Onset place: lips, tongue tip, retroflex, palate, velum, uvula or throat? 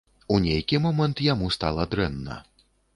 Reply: tongue tip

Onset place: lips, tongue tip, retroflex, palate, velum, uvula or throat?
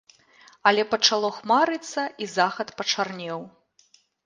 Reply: tongue tip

